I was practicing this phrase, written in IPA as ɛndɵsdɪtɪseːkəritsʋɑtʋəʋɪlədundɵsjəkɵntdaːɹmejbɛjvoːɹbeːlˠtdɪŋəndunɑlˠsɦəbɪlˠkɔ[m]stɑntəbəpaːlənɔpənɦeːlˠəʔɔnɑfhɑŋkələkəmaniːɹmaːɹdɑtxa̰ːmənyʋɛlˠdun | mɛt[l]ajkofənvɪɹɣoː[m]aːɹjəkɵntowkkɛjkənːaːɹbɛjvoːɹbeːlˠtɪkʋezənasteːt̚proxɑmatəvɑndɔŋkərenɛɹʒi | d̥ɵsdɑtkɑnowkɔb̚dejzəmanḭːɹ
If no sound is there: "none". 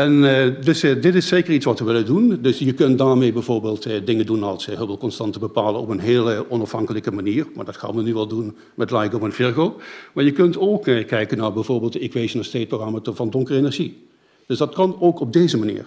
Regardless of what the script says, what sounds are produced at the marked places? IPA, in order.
n, l, m

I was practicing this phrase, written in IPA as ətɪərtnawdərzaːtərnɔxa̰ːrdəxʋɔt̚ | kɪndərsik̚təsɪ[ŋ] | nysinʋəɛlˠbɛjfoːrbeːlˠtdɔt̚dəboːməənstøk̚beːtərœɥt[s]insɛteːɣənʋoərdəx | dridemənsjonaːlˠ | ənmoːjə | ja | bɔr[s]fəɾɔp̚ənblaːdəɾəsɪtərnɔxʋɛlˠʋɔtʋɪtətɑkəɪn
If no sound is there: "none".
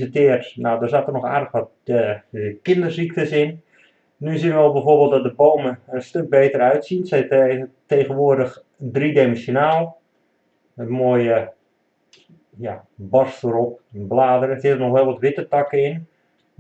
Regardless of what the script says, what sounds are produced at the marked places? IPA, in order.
n, s, s

